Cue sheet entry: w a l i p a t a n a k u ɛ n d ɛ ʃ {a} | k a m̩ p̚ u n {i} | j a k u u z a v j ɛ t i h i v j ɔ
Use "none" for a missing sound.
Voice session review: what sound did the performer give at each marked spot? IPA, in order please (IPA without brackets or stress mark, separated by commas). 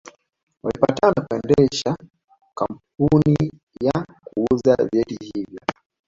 a, i